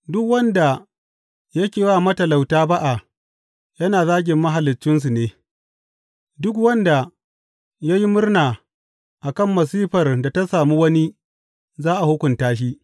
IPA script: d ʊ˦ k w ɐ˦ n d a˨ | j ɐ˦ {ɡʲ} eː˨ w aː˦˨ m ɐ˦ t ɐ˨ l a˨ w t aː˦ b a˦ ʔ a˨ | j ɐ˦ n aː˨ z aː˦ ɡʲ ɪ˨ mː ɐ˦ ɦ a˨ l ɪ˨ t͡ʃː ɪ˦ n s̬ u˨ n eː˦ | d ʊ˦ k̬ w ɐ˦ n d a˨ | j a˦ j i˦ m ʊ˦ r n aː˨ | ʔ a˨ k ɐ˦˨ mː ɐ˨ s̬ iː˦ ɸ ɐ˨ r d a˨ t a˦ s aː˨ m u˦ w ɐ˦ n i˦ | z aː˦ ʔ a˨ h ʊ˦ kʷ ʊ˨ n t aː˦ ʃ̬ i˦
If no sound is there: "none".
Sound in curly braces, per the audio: kʲ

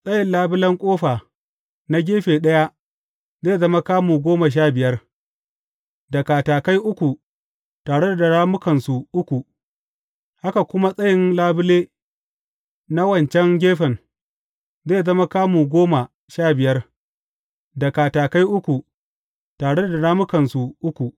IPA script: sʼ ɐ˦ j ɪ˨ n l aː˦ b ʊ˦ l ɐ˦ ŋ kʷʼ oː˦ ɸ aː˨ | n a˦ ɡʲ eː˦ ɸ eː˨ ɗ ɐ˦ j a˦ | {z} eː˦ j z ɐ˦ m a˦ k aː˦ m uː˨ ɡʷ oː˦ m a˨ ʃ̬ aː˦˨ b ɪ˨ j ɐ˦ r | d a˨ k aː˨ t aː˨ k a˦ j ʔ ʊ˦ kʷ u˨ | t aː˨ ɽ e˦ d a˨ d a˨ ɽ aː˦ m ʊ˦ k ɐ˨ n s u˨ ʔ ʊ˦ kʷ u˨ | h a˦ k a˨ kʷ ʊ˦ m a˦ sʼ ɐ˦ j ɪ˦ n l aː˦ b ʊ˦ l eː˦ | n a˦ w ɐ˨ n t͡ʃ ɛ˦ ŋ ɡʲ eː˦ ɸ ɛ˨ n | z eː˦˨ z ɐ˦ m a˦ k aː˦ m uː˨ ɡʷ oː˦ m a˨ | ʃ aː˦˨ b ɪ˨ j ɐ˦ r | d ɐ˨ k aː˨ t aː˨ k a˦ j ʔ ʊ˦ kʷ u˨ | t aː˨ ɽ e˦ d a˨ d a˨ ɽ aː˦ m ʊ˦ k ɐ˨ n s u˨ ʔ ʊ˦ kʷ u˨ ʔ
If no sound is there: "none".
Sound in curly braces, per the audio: z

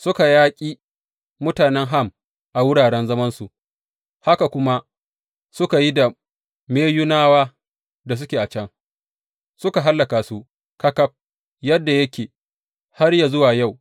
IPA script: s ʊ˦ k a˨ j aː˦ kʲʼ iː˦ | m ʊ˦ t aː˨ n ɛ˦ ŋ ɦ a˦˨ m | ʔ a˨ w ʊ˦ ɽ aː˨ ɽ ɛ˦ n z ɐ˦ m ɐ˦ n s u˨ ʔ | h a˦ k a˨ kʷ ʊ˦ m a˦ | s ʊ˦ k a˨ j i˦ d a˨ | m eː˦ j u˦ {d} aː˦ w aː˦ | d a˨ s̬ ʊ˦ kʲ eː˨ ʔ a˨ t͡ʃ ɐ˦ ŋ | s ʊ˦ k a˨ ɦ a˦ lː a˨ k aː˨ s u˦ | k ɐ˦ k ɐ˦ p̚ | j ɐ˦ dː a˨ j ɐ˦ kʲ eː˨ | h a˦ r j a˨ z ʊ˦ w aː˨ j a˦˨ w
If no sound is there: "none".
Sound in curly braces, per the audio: n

